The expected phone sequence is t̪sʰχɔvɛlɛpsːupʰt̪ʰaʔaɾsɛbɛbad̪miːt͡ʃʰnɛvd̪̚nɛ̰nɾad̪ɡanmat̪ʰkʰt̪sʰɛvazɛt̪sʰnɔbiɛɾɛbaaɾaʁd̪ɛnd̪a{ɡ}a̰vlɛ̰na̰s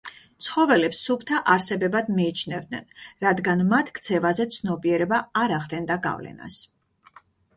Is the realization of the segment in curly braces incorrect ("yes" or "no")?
no